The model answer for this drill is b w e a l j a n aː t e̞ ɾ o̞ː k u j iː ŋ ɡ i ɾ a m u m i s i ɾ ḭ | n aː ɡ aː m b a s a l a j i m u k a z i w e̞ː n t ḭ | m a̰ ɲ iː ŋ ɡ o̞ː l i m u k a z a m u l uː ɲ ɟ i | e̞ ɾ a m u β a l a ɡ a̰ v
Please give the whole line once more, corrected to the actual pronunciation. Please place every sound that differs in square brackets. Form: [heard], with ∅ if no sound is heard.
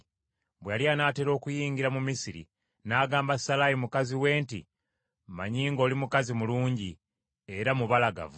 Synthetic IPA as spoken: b w e a l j a n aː t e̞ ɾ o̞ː k u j iː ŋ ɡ i ɾ a m u m i s i ɾ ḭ | n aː ɡ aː m b a s a l a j i m u k a z i w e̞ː n t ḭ | m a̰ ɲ iː ŋ ɡ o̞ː l i m u k a z [i] m u l uː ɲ ɟ i | e̞ ɾ a m u β a l a ɡ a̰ v